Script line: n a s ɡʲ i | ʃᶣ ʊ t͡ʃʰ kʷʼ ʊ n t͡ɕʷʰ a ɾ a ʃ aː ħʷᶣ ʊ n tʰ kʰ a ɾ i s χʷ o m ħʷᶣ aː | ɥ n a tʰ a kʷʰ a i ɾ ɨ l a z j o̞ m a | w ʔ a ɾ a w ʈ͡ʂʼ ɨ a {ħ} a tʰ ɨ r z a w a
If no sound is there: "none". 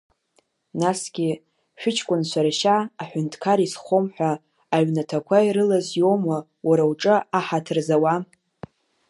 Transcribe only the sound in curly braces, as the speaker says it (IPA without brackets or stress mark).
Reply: ħ